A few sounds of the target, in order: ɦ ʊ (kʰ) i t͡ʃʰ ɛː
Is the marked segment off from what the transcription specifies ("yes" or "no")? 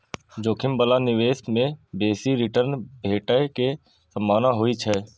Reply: yes